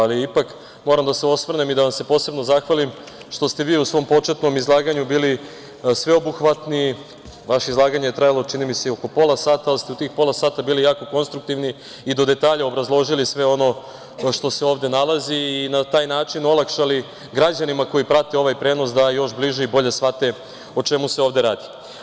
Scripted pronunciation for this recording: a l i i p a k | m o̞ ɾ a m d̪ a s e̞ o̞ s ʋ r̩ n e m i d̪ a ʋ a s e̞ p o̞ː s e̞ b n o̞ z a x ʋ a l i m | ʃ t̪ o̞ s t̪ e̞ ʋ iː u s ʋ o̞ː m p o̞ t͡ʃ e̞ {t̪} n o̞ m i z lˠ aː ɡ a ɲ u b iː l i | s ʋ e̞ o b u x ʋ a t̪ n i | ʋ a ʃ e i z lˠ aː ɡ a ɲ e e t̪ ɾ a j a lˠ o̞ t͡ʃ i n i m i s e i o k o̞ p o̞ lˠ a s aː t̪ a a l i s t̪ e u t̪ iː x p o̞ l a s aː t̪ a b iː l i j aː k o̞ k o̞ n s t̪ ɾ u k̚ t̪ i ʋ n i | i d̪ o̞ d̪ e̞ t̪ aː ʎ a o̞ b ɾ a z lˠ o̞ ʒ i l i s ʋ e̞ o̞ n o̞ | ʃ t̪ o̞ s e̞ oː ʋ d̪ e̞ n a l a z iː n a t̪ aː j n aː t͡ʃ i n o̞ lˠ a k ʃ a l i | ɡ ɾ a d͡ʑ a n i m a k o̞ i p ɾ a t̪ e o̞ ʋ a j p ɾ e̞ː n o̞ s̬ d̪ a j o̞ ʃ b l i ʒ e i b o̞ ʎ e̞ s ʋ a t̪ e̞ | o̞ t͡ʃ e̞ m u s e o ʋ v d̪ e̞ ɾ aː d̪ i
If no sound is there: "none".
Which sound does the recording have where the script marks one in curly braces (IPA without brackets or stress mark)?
t̪